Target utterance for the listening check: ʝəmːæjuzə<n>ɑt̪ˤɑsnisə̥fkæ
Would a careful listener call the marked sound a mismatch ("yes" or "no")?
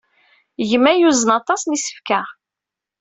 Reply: no